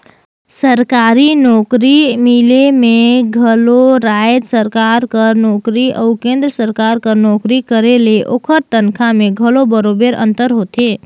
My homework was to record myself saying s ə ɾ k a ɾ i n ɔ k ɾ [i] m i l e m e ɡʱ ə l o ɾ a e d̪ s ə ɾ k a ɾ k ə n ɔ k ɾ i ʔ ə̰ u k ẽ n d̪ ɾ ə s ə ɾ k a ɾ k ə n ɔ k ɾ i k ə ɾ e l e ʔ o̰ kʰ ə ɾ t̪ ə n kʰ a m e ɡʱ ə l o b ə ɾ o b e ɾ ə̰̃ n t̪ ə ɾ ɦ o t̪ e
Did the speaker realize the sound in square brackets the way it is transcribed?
yes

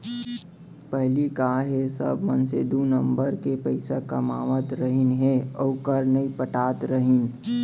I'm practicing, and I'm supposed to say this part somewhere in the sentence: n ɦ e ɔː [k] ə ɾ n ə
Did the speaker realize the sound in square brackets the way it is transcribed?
yes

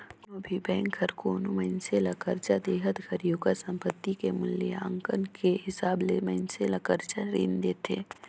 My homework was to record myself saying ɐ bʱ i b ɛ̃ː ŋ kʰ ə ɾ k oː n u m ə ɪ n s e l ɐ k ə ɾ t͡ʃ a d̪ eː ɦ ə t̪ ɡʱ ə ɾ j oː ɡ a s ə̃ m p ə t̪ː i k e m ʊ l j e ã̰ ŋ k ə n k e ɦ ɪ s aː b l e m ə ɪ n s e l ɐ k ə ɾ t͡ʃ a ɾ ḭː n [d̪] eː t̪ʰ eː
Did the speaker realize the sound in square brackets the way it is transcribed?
yes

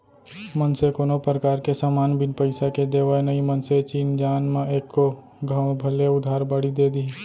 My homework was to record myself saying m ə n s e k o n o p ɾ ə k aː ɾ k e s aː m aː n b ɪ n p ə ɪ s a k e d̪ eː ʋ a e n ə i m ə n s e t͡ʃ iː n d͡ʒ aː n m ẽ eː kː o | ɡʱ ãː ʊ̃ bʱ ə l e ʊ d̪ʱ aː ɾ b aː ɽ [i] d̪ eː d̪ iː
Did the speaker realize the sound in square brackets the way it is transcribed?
yes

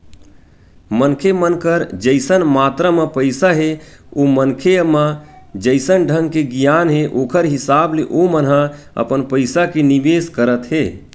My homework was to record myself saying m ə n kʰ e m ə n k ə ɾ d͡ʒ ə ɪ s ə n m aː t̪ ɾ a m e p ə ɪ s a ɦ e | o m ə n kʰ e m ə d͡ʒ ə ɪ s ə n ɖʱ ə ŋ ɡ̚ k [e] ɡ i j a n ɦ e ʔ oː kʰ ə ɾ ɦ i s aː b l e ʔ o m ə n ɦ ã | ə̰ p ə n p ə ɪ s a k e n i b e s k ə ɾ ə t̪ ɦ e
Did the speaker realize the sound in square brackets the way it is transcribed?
yes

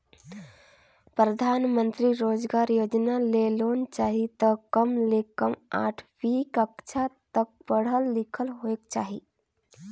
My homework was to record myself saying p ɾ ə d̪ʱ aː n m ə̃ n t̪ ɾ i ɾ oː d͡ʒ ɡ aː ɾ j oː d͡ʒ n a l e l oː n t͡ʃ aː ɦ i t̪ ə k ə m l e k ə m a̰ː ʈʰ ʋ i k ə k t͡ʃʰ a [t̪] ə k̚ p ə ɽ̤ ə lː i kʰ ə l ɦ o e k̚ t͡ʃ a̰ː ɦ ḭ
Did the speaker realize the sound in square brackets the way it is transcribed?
yes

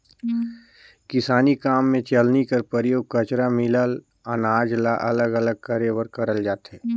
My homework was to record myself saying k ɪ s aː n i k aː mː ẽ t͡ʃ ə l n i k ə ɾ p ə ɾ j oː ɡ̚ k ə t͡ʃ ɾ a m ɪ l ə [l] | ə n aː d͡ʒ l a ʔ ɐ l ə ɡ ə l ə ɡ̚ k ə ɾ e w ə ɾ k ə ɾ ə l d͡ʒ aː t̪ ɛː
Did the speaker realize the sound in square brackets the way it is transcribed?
yes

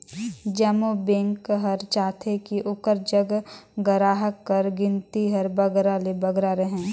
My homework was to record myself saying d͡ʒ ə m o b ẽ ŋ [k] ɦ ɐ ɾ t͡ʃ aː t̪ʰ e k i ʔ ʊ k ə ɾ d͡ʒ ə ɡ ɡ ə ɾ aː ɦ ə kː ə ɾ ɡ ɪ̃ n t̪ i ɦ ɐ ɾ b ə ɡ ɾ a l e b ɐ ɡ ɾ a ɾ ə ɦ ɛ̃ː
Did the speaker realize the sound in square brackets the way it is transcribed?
yes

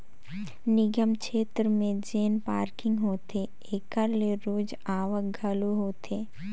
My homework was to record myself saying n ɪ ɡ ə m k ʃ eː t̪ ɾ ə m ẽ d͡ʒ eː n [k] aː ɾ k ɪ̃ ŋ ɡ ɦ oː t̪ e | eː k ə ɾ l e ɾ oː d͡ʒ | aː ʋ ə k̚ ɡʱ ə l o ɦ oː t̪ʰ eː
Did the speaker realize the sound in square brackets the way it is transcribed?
no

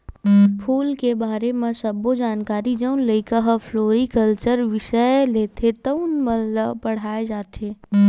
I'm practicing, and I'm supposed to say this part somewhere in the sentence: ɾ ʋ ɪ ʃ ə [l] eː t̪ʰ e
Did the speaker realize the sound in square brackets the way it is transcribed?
yes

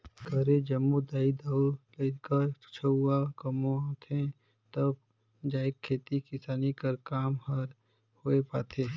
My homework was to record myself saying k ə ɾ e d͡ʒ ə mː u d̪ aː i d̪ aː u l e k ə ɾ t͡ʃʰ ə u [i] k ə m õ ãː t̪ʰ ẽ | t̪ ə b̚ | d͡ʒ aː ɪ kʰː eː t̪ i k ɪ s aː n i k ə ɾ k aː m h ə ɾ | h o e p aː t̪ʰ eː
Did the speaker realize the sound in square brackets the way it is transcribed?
no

